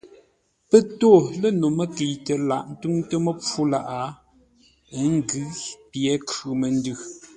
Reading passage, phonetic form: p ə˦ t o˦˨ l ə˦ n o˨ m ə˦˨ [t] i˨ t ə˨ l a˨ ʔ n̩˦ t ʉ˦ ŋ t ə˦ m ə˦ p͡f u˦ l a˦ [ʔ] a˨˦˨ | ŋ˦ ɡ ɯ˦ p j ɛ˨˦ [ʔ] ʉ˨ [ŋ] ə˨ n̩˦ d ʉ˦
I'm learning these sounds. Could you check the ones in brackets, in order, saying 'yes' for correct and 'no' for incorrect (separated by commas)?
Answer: no, yes, no, no